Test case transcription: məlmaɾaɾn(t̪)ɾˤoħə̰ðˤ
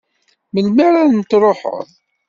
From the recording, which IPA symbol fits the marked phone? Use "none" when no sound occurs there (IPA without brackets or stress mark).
t̪